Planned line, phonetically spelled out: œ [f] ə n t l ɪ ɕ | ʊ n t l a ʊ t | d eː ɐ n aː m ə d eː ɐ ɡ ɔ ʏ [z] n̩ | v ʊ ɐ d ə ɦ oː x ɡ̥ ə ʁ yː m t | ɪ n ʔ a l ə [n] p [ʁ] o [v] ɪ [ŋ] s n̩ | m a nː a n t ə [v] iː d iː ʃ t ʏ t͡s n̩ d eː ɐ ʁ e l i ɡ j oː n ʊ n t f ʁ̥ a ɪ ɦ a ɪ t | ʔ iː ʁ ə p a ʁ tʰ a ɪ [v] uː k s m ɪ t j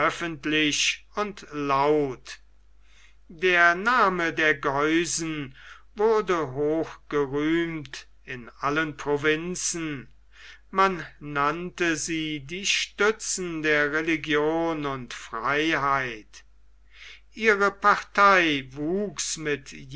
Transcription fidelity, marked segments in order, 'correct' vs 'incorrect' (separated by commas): correct, correct, correct, correct, correct, incorrect, incorrect, correct